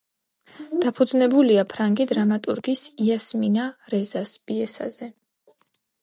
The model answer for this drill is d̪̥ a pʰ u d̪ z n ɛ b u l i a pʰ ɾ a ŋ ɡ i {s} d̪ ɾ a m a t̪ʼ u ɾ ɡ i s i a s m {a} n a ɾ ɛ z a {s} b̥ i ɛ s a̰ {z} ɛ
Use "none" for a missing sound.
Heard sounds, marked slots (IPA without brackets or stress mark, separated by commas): none, i, s, z